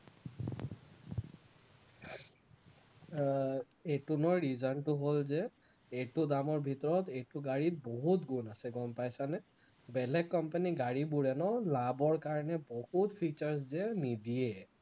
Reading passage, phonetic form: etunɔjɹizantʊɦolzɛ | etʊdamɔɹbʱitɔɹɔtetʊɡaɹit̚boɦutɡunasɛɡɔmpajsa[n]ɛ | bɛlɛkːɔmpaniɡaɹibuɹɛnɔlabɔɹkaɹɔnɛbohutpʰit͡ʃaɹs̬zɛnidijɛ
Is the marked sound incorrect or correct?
correct